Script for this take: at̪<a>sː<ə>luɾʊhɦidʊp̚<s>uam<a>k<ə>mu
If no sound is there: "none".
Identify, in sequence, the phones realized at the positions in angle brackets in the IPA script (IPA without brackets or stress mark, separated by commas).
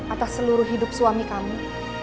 a, ə, s, i, a